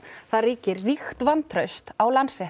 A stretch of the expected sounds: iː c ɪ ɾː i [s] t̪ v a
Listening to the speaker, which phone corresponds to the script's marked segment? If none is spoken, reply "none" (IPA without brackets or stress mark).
x